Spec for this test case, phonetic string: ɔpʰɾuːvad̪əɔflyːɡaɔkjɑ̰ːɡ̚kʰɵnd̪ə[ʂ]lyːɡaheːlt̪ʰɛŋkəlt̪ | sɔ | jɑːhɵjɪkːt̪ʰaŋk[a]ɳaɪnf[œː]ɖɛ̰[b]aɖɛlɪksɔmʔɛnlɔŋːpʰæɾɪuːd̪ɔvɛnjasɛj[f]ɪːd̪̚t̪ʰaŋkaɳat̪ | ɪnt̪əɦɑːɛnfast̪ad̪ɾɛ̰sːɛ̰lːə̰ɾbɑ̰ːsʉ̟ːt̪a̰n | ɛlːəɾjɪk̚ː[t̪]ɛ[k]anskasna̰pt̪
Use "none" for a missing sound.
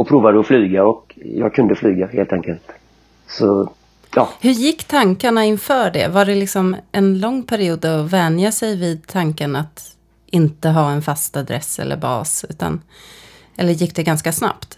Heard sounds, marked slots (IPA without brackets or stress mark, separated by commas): f, a, œː, v, v, d̪, ɡ